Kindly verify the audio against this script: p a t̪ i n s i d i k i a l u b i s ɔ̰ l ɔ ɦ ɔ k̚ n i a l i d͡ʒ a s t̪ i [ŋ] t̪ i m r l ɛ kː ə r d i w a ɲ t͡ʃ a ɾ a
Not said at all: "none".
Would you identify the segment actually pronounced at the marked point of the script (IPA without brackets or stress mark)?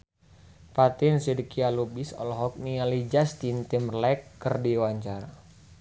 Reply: n